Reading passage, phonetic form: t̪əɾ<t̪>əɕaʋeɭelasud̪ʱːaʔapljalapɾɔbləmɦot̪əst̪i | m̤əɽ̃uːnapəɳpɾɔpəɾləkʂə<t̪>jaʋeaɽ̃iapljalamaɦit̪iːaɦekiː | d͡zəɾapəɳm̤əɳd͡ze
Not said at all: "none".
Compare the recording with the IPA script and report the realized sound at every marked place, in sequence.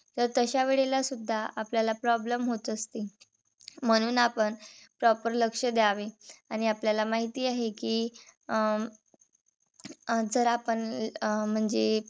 t̪, d̪

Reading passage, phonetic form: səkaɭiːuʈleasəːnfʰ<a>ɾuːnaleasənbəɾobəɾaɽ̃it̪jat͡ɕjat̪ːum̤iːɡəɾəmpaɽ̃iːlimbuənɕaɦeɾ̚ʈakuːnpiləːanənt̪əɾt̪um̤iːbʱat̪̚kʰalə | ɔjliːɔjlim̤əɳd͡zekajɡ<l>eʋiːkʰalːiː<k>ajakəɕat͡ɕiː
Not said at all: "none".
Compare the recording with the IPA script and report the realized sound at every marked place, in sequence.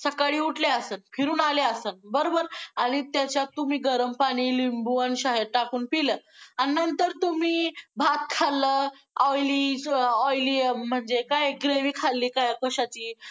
i, ɾ, k

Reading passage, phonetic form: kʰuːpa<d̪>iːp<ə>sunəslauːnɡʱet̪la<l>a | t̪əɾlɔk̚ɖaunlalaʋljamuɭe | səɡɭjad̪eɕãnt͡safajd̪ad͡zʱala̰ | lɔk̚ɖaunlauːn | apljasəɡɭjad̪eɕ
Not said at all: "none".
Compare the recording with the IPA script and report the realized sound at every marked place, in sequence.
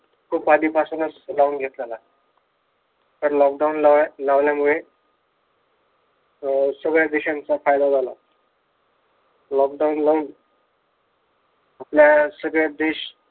d̪, a, l

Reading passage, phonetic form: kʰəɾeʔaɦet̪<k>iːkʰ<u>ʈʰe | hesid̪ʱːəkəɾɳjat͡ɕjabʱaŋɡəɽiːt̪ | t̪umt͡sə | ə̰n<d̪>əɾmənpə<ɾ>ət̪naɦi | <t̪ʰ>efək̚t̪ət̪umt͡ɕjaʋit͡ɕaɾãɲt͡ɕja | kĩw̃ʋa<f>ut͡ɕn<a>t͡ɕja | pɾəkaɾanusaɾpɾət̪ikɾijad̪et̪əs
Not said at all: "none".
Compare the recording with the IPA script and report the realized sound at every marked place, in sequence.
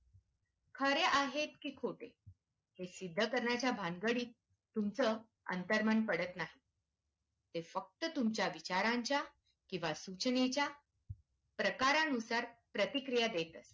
k, o, t̪, ɽ, t̪, s, e

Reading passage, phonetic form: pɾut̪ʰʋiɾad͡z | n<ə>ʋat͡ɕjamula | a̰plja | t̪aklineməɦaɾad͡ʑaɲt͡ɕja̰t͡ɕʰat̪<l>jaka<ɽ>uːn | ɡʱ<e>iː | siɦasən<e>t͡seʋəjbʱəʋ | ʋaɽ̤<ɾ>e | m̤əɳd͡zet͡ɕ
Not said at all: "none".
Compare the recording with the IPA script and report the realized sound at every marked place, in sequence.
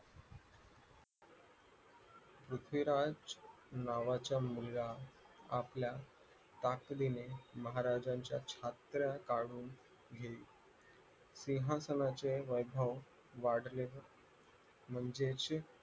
a, ɾ, ɽ, e, a, l

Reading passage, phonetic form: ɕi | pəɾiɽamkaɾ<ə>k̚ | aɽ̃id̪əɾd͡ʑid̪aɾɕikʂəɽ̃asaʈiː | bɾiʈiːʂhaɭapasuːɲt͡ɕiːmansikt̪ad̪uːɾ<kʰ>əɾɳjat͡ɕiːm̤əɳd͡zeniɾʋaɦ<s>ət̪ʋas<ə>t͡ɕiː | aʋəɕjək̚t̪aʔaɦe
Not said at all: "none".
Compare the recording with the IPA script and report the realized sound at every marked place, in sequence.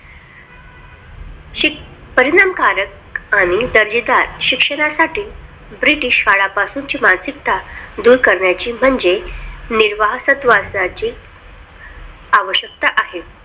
ə, k, s, a

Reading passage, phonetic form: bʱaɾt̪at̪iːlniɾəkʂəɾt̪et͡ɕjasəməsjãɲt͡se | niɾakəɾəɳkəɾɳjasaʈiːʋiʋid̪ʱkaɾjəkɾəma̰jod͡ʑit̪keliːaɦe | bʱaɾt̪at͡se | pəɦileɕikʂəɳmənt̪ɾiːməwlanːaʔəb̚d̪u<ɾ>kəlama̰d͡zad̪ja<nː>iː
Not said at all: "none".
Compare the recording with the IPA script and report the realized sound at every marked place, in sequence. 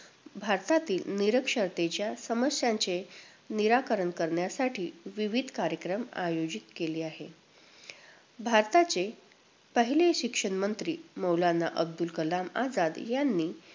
l, nː

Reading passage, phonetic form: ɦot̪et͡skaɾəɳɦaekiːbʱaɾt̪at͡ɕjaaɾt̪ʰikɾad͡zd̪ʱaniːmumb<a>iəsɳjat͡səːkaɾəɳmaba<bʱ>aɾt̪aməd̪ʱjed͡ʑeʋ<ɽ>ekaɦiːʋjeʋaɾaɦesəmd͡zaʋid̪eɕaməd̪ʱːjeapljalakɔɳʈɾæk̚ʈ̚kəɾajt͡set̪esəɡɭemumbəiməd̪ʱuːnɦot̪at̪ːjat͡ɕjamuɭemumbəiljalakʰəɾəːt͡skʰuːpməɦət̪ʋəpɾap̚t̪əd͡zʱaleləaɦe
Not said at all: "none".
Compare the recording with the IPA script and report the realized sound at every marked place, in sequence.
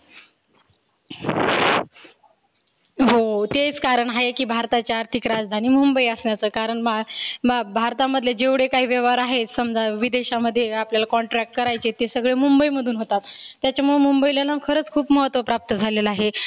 ə, bʱ, ɽ

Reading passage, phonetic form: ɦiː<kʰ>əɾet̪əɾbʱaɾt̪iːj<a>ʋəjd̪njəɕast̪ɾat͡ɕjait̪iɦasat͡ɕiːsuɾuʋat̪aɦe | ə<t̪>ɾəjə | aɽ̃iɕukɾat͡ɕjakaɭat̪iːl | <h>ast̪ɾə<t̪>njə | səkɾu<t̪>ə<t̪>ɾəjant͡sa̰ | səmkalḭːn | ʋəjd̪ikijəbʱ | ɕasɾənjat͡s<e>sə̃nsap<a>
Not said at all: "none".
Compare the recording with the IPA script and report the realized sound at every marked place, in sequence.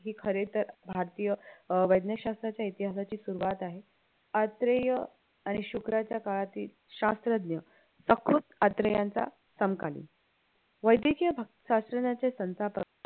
kʰ, ə, t̪, ɕ, d̪, t̪, t̪, e, ə

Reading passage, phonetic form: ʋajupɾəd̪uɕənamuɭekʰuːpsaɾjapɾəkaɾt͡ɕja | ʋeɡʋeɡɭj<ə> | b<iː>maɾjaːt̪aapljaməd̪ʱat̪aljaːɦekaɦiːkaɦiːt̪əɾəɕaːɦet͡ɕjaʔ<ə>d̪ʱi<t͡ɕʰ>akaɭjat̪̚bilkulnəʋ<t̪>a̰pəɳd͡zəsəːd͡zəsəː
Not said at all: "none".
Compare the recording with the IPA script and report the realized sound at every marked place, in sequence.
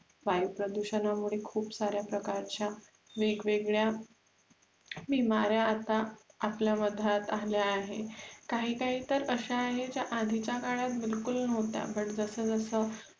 a, i, a, t͡ɕ, t̪

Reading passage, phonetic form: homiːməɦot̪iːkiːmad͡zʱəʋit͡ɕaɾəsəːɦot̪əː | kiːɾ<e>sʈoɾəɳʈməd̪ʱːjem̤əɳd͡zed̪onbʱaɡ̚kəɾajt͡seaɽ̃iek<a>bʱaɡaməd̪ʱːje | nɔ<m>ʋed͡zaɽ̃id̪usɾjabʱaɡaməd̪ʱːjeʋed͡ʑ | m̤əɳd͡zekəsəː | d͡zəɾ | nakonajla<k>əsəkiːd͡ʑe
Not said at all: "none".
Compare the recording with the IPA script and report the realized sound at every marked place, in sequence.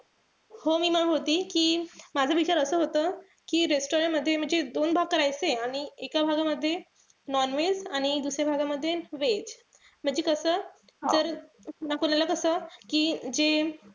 e, a, n, k

